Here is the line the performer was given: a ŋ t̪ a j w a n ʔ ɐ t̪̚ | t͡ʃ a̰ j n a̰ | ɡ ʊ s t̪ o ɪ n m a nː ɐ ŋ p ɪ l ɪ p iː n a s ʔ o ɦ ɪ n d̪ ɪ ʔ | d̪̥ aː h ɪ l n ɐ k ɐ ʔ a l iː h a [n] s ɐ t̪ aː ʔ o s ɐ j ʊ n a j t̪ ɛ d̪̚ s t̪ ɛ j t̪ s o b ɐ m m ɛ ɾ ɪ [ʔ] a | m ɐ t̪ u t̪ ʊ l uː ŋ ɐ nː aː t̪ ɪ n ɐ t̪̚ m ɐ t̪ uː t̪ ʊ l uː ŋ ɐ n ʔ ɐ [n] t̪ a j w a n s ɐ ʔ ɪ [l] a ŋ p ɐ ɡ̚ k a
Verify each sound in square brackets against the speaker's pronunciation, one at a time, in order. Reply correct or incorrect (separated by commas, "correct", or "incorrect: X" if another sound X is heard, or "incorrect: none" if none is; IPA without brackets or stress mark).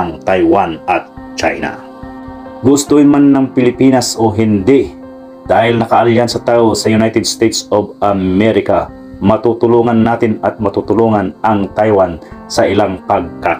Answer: correct, incorrect: k, incorrect: ŋ, correct